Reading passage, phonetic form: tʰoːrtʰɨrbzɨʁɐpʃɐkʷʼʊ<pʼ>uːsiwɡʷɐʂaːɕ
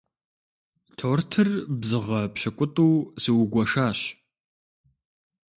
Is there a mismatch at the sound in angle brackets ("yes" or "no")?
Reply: yes